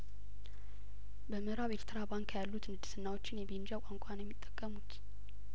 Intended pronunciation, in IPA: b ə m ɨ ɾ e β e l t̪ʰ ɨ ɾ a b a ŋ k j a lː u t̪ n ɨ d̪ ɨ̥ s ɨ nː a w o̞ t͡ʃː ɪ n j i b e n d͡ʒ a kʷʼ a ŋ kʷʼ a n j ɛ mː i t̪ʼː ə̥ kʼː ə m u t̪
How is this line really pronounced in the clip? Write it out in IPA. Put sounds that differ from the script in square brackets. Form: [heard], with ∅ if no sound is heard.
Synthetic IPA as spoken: b ə m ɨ ɾ [a] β e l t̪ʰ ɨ ɾ a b a ŋ k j a lː u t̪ n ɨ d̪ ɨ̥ s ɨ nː a w o̞ t͡ʃː ɪ n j [ɛ] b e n d͡ʒ a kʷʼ a ŋ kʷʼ a n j ɛ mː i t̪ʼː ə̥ kʼː ə m u t̪